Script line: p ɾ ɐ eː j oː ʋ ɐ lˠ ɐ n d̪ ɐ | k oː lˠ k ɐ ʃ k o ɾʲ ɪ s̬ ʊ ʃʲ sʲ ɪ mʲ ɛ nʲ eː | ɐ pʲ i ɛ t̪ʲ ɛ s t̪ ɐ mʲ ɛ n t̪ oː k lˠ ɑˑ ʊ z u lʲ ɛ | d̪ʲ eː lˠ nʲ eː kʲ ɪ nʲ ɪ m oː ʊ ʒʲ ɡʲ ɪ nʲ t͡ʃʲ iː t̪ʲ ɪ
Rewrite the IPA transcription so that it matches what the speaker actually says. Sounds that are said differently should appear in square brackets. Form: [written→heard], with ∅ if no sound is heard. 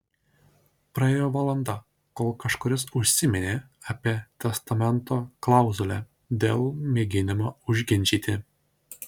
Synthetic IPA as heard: p ɾ ɐ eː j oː ʋ ɐ lˠ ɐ n d̪ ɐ | k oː lˠ k ɐ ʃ k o ɾʲ ɪ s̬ ʊ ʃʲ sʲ ɪ mʲ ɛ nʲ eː | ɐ pʲ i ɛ t̪ʲ ɛ s t̪ ɐ mʲ ɛ n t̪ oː k lˠ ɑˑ ʊ z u lʲ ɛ | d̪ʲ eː lˠ [nʲ→mʲ] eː [kʲ→ɡʲ] ɪ nʲ ɪ m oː ʊ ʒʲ ɡʲ ɪ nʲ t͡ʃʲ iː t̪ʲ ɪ